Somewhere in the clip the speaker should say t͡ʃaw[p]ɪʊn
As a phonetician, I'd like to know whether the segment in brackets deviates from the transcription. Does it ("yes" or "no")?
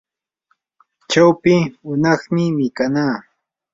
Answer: no